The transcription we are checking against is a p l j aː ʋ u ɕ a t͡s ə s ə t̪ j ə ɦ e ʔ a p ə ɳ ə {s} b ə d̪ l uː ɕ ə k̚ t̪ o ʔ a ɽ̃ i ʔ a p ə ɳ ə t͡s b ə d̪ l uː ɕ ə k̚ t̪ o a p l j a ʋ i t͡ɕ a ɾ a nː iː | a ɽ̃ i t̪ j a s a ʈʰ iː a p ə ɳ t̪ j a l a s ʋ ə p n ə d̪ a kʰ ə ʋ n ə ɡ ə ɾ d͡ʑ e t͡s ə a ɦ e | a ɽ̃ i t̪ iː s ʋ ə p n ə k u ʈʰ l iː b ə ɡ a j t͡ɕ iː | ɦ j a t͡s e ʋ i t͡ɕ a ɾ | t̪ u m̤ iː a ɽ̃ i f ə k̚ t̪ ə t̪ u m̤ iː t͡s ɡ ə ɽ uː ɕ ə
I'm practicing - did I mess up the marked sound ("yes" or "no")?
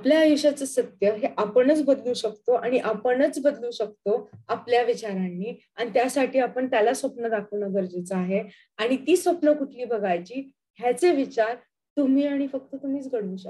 yes